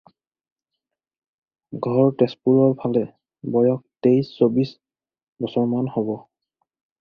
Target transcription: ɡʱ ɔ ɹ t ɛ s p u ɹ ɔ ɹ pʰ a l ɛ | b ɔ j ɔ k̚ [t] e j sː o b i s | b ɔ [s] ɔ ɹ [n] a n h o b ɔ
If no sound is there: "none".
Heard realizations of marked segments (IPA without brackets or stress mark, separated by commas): t, s, m